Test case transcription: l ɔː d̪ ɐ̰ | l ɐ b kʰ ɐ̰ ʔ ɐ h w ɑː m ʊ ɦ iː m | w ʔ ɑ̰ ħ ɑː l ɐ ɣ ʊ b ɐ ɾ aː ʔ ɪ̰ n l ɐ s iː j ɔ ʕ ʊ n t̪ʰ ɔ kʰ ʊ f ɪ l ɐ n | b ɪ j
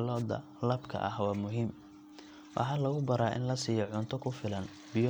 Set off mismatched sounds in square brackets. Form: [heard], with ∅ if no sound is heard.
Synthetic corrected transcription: l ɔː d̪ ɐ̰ | l ɐ b kʰ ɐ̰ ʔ ɐ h w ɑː m ʊ ɦ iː m | w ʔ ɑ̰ ħ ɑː l ɐ ɣ ʊ b ɐ ɾ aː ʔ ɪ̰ n l ɐ s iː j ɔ ʕ ʊ n t̪ʰ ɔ kʰ ʊ f ɪ l ɐ n | b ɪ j